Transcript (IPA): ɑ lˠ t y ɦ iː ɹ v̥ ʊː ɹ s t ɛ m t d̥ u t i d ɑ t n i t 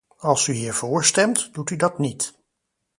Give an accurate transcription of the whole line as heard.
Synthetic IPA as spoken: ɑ lˠ s y ɦ iː ɹ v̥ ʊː ɹ s t ɛ m t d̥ u t y d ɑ t n i t